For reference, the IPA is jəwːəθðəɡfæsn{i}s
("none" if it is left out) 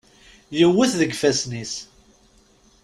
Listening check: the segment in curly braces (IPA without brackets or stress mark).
i